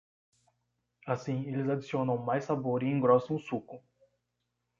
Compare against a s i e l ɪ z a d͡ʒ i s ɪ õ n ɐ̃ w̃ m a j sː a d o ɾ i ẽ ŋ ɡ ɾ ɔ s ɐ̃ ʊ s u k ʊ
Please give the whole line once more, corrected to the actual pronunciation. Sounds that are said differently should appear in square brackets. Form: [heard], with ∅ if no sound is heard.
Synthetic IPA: a s [ĩ] e l ɪ z a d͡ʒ i s [i] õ n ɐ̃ w̃ m a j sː a [b] o ɾ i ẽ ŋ ɡ ɾ ɔ s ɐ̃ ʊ s u k ʊ